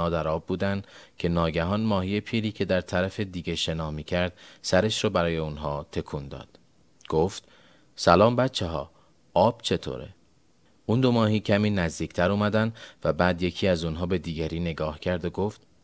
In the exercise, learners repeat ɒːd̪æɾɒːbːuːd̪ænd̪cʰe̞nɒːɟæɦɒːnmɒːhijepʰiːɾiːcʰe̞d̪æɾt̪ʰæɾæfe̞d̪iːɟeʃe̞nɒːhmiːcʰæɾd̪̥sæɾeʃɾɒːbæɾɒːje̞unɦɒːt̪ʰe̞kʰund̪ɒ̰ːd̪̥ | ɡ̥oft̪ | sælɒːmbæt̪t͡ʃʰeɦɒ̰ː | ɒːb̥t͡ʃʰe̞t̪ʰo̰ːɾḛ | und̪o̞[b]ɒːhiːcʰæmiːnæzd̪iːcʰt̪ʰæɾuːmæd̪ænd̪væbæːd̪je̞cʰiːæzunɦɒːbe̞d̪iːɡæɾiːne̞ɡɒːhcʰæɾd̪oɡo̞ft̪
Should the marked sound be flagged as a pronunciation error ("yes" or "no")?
yes